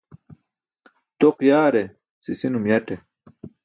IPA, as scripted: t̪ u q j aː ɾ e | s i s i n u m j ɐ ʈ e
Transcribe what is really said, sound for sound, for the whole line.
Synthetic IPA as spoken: t̪ o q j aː ɾ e | s i s i n u m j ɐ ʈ e